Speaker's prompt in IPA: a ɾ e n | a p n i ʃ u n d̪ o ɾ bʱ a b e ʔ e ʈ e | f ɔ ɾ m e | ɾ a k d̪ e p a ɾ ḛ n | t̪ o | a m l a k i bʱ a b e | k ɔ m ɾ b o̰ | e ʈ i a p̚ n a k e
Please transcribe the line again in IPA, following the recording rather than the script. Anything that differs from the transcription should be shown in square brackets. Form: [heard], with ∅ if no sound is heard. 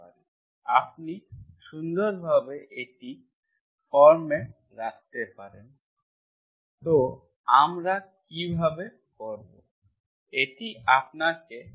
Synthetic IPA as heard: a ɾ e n | a p n i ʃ u n d̪ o ɾ bʱ a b e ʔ e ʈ [i] | f ɔ ɾ m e | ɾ a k [t̪] e p a ɾ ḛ n | t̪ o | a m [ɾ] a k i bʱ a b e | k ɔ [∅] ɾ b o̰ | e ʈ i a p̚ n a k e

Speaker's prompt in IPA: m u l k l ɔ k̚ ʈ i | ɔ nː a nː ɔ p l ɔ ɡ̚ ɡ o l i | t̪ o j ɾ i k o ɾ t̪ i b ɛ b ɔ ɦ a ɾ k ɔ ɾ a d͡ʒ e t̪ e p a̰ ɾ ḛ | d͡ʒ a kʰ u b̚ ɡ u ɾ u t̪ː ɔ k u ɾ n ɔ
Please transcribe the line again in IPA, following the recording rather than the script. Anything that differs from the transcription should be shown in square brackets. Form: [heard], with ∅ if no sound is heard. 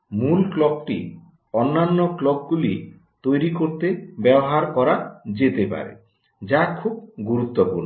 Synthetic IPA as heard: m u l k l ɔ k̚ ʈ i | ɔ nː a nː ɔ [k] l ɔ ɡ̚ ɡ [u] l i | t̪ o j ɾ i k o ɾ t̪ [e] b ɛ b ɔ ɦ a ɾ k ɔ ɾ a d͡ʒ e t̪ e p a̰ ɾ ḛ | d͡ʒ a kʰ u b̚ ɡ u ɾ u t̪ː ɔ [p] u ɾ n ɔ

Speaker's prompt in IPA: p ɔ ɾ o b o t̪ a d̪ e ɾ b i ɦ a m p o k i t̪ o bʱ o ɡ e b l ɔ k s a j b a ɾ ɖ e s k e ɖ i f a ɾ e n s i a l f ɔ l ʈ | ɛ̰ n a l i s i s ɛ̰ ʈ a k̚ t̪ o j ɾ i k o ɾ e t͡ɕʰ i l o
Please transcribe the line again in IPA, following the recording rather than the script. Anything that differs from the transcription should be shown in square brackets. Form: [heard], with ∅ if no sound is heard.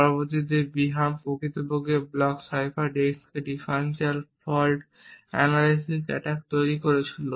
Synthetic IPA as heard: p ɔ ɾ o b o t̪ [i] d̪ e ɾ b i ɦ a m p o k i t̪ o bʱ o ɡ e b l ɔ k s a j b a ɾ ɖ e s k e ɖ i f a ɾ e n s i a l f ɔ l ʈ | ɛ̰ n a l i s i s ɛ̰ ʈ a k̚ t̪ o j ɾ i k o ɾ e t͡ɕʰ i l o

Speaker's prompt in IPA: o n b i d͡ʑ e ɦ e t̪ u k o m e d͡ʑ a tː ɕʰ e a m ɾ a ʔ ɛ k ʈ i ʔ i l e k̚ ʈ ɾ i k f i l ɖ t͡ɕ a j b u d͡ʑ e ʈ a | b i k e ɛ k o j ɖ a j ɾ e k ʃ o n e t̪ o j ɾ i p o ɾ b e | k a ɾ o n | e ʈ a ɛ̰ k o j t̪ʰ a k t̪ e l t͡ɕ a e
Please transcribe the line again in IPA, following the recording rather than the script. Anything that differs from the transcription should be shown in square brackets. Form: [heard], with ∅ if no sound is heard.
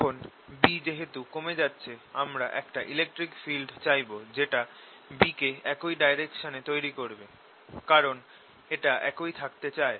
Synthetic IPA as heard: o n b i d͡ʑ e ɦ e t̪ u k o m e d͡ʑ a tː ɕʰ e a m ɾ a ʔ ɛ k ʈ [a] ʔ i l e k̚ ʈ ɾ i k f i l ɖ t͡ɕ a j b [o] d͡ʑ e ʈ a | b i k e ɛ k o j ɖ a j ɾ e k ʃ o n e t̪ o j ɾ i [k] o ɾ b e | k a ɾ o n | e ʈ a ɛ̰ k o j t̪ʰ a k t̪ e [∅] t͡ɕ a e

